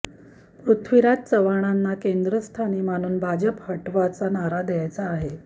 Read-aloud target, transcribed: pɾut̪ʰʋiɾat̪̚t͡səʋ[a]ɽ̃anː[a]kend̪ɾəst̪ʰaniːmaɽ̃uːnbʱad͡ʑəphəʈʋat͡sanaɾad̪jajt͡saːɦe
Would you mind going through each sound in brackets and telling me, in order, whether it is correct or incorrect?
correct, correct

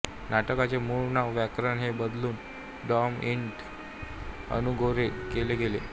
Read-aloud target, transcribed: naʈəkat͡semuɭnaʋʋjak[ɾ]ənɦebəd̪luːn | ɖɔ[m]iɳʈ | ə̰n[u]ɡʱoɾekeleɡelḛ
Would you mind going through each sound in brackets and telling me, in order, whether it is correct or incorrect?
correct, correct, correct

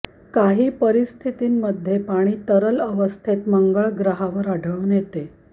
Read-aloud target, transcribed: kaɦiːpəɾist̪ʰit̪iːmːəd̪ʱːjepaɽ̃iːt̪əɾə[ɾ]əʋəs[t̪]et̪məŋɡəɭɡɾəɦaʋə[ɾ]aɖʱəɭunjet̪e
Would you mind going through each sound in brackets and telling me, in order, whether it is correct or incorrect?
incorrect: l, incorrect: t̪ʰ, correct

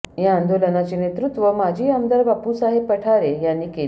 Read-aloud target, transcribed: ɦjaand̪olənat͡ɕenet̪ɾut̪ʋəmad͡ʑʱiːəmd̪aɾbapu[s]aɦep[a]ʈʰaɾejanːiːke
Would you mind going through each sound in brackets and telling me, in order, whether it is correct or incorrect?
correct, incorrect: ə

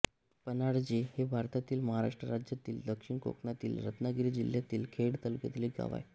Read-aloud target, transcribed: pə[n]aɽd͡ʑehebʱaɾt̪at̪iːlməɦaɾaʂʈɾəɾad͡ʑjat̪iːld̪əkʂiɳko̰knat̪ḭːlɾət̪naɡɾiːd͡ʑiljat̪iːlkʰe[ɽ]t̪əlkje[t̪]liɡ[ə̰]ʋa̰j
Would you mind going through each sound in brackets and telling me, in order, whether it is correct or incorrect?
correct, correct, correct, incorrect: a̰

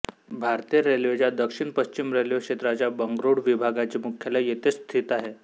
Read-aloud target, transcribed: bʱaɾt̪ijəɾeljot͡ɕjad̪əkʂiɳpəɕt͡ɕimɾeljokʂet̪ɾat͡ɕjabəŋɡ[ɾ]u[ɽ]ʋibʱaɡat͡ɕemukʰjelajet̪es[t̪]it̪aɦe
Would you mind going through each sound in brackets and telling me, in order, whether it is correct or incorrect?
correct, correct, incorrect: t̪ʰ

